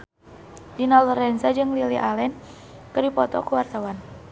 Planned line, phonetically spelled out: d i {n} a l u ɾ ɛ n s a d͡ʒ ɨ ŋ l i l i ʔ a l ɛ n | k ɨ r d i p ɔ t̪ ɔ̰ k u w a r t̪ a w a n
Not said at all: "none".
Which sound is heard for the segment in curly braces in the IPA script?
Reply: n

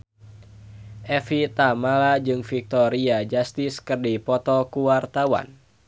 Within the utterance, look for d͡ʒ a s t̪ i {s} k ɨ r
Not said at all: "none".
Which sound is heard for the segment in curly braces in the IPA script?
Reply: s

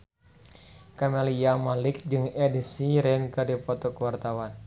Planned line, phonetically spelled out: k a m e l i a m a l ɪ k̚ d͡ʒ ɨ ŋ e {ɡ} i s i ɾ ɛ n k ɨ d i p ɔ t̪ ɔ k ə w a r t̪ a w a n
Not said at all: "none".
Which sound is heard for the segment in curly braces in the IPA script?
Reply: d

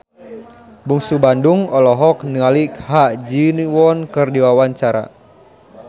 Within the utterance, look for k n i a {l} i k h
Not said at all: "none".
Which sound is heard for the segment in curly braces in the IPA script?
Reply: l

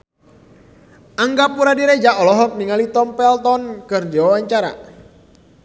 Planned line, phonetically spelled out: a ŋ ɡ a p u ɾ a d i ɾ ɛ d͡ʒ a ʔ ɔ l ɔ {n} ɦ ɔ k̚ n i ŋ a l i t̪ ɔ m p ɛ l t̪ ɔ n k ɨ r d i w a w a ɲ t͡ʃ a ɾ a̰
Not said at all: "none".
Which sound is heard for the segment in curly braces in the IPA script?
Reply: none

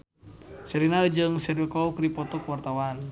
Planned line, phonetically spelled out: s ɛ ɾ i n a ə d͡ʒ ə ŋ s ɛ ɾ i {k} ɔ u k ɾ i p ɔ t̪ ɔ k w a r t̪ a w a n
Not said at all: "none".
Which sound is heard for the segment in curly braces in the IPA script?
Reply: k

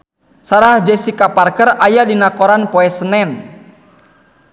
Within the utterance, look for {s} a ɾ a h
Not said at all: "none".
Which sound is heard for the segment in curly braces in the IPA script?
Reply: s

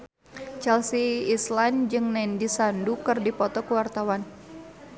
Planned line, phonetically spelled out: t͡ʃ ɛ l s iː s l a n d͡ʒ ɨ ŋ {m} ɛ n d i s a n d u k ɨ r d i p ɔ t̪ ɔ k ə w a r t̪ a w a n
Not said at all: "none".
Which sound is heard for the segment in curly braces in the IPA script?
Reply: n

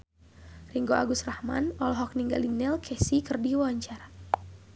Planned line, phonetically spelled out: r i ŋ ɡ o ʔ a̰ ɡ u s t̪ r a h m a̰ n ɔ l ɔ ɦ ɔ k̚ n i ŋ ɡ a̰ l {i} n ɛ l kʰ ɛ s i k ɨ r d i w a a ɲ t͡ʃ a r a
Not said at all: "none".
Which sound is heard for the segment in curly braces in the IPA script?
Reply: i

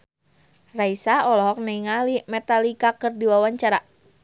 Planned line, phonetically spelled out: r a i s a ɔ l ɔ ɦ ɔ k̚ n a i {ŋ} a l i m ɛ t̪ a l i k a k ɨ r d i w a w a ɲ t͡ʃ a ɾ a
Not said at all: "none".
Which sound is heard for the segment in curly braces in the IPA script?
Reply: ŋ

